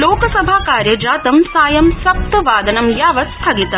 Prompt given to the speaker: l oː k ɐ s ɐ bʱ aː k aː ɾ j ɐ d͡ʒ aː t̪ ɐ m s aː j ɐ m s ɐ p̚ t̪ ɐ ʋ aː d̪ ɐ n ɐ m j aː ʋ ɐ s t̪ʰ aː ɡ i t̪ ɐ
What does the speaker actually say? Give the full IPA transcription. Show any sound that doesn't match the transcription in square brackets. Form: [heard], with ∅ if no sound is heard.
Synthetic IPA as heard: l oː k ɐ s ɐ bʱ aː k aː ɾ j ɐ d͡ʒ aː t̪ ɐ m s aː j ɐ m s ɐ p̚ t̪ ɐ ʋ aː d̪ ɐ n ɐ m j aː ʋ ɐ s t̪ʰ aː ɡ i t̪ ɐ